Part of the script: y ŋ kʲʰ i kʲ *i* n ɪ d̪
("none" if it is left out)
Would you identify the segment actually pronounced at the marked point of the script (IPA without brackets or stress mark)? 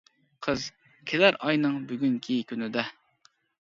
y